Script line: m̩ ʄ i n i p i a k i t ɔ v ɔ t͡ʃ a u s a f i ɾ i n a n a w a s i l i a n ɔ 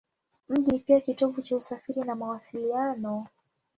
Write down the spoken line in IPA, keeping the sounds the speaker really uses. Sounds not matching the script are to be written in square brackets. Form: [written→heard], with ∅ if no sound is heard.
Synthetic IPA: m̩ ʄ i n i p i a k i t ɔ v [ɔ→u] t͡ʃ a u s a f i ɾ i n a [n→m] a w a s i l i a n ɔ